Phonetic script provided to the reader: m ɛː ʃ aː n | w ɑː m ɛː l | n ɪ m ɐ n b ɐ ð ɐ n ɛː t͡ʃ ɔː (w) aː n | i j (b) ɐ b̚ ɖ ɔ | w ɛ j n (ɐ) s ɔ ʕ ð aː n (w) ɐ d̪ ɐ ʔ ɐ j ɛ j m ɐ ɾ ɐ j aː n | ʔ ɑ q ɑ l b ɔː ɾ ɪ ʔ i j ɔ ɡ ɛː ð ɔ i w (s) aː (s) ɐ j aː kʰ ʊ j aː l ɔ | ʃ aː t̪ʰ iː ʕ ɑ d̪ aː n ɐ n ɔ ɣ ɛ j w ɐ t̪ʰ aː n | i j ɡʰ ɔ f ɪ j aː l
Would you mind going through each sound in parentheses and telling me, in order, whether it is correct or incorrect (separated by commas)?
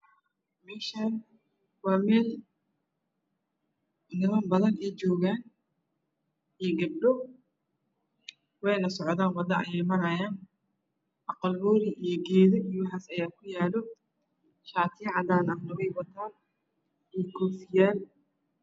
incorrect, incorrect, correct, correct, incorrect, correct